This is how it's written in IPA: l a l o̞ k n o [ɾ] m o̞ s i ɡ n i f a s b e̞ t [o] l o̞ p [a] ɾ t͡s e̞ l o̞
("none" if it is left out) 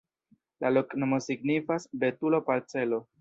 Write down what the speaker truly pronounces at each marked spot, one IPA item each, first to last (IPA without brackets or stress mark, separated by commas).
none, u, a